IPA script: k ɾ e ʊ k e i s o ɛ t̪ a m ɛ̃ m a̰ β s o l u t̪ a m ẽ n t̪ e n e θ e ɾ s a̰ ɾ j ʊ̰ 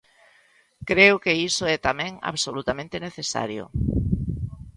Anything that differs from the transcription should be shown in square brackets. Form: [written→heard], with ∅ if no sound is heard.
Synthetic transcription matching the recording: k ɾ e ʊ k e i s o ɛ t̪ a m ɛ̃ [m→ŋ] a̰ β s o l u t̪ a m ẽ n t̪ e n e θ e [ɾ→∅] s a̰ ɾ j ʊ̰